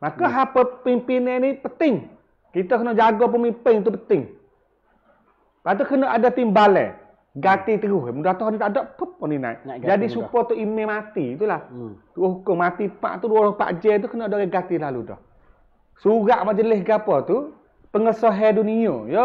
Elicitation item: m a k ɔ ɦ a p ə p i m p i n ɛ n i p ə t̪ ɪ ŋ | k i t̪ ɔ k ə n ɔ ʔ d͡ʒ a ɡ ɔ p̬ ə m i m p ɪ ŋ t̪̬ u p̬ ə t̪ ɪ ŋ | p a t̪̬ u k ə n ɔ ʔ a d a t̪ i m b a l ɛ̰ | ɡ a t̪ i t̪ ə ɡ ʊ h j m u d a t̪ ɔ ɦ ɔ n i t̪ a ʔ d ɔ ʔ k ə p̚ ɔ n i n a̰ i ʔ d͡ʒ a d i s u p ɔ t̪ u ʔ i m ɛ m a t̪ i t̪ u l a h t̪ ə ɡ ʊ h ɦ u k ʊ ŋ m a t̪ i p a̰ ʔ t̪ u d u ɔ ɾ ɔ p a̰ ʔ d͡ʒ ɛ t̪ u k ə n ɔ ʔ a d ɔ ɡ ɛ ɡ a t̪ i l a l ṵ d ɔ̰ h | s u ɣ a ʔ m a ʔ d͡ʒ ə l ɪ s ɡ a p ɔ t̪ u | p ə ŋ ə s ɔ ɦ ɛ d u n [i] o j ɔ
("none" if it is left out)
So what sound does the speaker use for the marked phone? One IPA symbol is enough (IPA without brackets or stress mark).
i